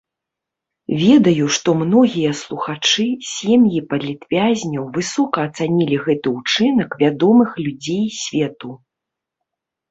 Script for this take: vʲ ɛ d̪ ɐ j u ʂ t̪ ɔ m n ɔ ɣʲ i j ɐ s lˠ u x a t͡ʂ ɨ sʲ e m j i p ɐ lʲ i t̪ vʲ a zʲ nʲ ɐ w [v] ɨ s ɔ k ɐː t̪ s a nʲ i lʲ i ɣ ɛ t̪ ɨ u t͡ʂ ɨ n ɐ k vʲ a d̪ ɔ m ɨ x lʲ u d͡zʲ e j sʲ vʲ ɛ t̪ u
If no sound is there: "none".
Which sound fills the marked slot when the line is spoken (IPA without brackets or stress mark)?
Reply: v